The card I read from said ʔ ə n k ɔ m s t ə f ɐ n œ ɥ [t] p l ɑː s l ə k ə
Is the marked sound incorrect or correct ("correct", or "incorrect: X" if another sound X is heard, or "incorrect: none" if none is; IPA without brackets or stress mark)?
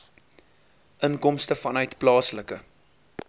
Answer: correct